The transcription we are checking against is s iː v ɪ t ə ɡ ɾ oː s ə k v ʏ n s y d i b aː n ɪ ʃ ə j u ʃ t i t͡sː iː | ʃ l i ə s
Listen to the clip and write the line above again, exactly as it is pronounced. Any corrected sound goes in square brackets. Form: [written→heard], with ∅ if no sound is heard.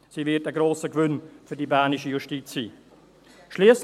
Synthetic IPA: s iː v ɪ t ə ɡ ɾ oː s ə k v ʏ n [s→f] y d i b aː n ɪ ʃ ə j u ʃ t i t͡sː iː | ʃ l i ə s